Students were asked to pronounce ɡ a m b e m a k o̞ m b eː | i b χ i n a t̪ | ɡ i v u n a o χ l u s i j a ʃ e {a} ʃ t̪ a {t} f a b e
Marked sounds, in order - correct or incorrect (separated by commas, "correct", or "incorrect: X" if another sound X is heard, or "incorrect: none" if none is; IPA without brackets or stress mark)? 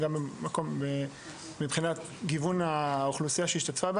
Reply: incorrect: i, correct